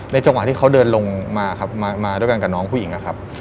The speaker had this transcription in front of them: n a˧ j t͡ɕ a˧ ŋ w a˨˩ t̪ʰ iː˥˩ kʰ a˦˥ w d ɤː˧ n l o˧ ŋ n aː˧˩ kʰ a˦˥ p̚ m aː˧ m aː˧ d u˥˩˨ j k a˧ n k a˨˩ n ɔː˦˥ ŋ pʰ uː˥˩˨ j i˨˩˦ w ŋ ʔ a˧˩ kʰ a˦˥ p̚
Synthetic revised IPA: n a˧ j t͡ɕ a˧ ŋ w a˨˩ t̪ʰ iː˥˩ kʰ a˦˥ w d ɤː˧ n l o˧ ŋ m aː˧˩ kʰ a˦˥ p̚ m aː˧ m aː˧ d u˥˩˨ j k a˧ n k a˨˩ n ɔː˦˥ ŋ pʰ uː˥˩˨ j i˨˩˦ ŋ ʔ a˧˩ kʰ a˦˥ p̚